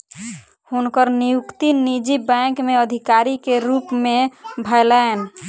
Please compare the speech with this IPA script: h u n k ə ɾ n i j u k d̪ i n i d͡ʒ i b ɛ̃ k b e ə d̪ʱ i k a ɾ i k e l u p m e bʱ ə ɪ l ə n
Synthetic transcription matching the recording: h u n k ə ɾ n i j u k t̪ i n i d͡ʒ i b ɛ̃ k m e ə d̪ʱ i k a ɾ i k e ɾ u p m e bʱ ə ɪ l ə n